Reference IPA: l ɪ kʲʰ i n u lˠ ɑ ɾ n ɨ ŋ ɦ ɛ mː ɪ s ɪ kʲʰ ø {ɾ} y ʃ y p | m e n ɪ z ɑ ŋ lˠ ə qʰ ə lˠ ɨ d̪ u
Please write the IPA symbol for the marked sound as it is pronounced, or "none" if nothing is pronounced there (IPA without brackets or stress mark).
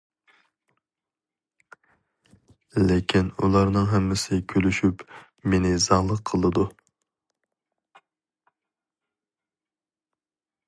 l